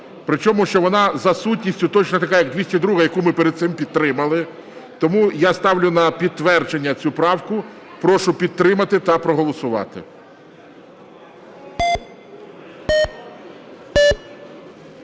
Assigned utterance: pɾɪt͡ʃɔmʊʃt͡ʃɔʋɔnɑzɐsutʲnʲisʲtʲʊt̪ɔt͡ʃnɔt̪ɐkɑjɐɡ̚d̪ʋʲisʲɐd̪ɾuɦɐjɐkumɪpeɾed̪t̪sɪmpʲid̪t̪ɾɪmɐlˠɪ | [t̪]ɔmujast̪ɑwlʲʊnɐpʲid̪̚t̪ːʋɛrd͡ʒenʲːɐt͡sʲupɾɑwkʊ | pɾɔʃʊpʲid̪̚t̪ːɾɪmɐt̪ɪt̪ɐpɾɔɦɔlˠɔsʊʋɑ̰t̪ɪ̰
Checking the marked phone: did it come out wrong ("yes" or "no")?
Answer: no